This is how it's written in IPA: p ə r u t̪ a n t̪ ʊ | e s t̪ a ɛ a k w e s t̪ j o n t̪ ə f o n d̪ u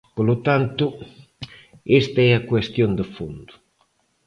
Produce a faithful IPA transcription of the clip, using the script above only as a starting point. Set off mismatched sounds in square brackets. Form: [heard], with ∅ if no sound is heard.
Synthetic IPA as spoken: p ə [l] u t̪ a n t̪ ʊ | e s t̪ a ɛ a k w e s t̪ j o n [d̪] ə f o n d̪ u